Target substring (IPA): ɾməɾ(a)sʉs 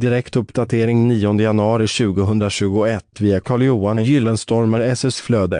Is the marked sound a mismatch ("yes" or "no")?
yes